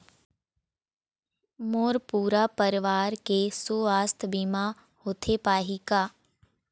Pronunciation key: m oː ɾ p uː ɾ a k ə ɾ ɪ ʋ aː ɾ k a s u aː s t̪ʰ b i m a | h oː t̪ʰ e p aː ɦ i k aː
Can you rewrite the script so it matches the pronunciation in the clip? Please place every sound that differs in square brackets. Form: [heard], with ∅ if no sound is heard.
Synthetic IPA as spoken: m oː ɾ p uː ɾ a [p] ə ɾ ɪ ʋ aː ɾ k [e] s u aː s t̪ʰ b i m a | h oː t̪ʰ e p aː ɦ i k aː